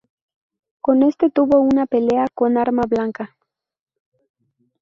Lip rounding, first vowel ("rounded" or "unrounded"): rounded